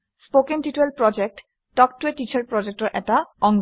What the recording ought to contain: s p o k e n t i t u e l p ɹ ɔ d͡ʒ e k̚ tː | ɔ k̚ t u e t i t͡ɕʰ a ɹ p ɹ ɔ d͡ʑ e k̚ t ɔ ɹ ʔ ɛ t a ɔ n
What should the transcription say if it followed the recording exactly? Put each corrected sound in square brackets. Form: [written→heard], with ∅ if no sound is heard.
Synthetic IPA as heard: s p o k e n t i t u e l p ɹ ɔ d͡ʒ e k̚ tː | ɔ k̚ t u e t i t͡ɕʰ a ɹ p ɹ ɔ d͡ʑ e k̚ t ɔ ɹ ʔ ɛ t a ɔ [n→ŋ]